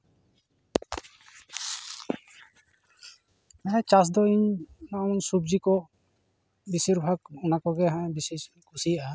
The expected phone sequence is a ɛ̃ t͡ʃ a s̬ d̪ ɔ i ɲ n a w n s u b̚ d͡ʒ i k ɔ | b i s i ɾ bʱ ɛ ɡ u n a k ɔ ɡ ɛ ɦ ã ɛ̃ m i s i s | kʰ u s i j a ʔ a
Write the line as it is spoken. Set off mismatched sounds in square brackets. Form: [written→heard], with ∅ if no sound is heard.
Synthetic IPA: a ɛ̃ t͡ʃ a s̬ d̪ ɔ i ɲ n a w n s u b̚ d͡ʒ i k ɔ | b i s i ɾ bʱ [ɛ→a] ɡ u n a k ɔ ɡ ɛ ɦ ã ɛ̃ [m→b] i s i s | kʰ u s i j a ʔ a